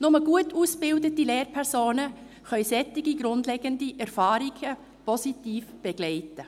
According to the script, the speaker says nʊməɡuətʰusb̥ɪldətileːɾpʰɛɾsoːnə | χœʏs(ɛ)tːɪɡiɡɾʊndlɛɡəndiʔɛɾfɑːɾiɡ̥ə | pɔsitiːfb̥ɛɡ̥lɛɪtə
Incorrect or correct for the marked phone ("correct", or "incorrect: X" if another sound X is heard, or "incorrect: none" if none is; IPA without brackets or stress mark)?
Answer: correct